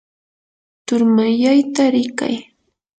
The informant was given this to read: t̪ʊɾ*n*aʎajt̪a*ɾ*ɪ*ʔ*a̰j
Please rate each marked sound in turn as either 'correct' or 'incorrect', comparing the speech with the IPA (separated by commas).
incorrect, correct, incorrect